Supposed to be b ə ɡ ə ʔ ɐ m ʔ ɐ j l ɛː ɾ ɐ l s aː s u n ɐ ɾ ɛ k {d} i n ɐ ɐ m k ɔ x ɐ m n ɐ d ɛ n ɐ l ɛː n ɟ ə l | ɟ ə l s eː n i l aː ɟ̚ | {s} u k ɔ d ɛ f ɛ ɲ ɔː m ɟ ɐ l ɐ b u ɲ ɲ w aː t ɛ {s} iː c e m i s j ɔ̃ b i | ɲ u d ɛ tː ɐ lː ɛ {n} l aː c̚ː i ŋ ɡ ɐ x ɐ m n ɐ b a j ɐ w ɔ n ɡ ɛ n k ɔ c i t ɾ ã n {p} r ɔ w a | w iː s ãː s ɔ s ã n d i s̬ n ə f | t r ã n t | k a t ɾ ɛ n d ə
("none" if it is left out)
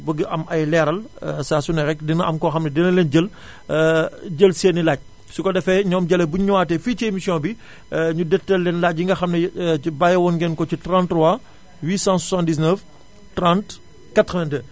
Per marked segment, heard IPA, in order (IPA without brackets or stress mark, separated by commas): d, s, f, n, t